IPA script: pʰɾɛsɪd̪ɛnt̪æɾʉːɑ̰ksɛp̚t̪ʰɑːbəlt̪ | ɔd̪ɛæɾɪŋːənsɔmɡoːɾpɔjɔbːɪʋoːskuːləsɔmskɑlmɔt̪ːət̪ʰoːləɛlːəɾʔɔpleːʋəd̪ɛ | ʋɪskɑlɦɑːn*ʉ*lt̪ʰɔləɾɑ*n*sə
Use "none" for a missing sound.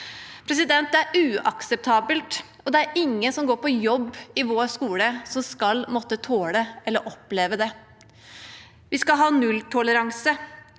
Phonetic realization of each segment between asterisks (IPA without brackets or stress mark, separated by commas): ʉ, ŋ